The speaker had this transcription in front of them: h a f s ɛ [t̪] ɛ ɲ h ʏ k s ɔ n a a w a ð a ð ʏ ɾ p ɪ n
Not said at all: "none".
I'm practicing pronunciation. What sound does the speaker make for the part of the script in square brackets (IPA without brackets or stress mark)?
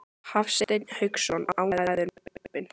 t̪